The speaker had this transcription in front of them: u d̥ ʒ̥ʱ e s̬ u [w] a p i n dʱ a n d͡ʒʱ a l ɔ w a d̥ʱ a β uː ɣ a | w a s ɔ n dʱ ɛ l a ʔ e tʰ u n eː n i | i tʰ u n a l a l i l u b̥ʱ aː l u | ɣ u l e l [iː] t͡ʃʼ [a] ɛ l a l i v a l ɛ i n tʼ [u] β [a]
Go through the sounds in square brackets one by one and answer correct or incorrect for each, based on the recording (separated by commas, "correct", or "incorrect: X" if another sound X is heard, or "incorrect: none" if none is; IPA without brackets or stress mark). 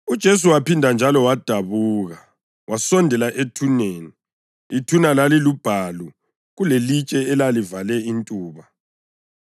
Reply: correct, incorrect: i, incorrect: ɛ, incorrect: uː, correct